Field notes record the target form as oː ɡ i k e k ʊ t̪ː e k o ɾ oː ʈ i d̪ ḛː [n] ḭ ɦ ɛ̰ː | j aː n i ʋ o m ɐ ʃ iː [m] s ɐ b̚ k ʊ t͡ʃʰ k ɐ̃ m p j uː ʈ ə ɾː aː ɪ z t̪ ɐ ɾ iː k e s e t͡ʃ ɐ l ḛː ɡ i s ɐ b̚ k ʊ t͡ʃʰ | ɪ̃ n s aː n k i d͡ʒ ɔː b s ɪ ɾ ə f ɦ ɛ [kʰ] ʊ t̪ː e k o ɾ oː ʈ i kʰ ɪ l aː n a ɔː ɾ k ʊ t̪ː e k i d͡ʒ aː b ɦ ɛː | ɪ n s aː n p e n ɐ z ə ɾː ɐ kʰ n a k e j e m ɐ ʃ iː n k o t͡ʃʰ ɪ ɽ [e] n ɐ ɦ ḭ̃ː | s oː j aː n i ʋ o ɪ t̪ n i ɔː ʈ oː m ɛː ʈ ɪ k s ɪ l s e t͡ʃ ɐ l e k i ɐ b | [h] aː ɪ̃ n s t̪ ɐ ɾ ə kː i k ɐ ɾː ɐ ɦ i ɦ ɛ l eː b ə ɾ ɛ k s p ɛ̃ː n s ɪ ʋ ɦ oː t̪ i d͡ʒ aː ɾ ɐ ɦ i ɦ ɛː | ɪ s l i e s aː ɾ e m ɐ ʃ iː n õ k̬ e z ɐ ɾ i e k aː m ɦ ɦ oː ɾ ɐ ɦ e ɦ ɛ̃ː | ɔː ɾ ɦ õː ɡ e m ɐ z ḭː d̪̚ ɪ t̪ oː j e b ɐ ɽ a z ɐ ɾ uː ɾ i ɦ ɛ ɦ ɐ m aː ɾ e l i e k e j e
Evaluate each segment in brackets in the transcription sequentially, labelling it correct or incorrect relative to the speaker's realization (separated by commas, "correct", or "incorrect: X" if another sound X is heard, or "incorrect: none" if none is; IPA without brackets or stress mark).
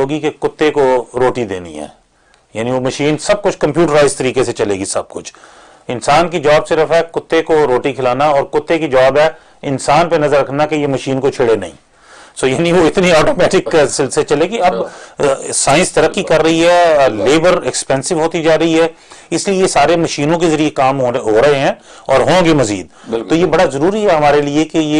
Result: correct, incorrect: n, incorrect: k, correct, incorrect: s